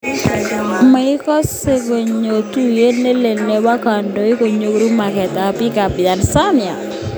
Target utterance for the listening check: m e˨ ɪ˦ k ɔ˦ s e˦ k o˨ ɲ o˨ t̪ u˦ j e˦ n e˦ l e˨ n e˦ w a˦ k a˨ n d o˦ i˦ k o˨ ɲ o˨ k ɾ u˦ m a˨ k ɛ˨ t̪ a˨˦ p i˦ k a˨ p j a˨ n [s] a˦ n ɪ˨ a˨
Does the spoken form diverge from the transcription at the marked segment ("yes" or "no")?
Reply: no